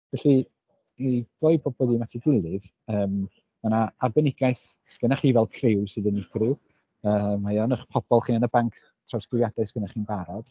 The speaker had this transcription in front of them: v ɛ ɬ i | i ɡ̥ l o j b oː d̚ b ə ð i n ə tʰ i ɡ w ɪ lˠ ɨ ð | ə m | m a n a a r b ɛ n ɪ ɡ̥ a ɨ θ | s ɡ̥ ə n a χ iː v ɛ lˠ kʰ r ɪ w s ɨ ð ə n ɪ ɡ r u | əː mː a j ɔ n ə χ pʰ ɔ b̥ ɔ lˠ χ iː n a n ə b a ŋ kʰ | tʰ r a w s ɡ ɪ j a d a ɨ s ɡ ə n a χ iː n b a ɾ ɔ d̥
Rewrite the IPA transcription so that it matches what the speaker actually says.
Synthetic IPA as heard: v ɛ ɬ i | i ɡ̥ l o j b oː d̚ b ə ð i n a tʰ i ɡ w ɪ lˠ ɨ ð | əː m | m a n a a r b ɛ n ɪ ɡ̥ a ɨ θ | s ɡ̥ ə n a χ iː v ɛ lˠ kʰ r ɪ w s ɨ ð ə n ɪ ɡ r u | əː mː a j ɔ n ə χ pʰ ɔ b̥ ɔ lˠ χ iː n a n ə b a ŋ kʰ | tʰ r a w s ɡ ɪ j a d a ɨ s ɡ ə n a χ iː n b a ɾ ɔ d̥